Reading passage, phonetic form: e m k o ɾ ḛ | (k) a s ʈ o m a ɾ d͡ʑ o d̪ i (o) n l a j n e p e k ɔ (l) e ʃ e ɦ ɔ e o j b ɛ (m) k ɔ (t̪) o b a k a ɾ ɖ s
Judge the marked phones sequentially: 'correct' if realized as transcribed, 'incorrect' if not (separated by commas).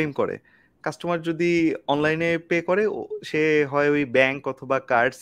correct, incorrect, incorrect, incorrect, incorrect